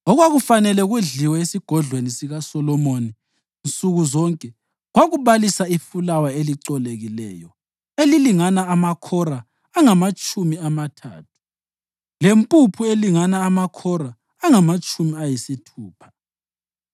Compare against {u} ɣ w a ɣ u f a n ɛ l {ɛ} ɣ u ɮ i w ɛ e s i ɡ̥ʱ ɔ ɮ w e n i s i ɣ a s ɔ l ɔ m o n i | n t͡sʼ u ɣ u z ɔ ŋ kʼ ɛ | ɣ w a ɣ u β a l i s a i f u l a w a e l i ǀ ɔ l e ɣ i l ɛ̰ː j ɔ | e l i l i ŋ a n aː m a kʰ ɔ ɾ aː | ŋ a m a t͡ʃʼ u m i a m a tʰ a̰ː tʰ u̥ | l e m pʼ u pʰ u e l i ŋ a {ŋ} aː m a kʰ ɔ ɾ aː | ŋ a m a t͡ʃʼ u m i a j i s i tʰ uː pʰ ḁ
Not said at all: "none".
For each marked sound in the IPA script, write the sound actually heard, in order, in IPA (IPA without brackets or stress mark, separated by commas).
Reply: ɔ, ɛ, n